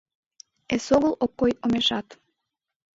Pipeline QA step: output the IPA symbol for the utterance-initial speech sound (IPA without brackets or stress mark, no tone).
e